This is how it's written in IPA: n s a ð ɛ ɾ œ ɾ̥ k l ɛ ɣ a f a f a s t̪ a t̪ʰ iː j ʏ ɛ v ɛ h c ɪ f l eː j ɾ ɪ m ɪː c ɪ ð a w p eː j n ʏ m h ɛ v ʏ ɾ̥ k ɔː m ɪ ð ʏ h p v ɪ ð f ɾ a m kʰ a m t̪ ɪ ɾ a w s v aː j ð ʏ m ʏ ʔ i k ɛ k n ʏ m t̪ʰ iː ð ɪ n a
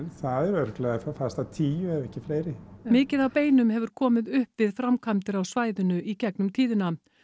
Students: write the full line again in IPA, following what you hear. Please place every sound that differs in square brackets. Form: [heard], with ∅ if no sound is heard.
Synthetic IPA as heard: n [θ] a ð ɛ ɾ œ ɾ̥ k l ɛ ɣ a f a f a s t̪ a t̪ʰ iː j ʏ ɛ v ɛ h c ɪ f l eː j ɾ ɪ m ɪː c ɪ ð a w p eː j n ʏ m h ɛ v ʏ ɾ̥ [kʰ] ɔː m ɪ ð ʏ h p v ɪ ð f ɾ a m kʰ a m t̪ ɪ ɾ a w s v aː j ð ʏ [n] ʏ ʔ i [c] ɛ k n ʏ m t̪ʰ iː ð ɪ n a